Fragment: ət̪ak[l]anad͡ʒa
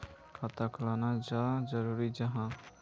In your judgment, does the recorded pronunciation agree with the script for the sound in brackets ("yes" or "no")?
yes